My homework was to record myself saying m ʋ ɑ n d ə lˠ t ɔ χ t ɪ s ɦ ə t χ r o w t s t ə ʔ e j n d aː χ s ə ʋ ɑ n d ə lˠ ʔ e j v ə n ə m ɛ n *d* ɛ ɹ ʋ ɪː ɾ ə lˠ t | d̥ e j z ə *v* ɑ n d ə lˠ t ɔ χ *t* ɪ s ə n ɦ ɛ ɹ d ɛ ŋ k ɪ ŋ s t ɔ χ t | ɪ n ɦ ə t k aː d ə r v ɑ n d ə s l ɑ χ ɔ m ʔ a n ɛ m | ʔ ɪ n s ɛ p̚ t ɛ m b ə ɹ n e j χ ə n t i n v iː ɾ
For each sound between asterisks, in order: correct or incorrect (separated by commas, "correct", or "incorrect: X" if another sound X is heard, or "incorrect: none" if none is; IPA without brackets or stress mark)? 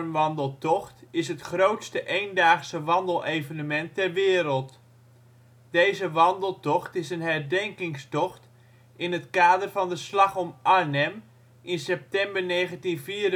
incorrect: t, incorrect: ʋ, correct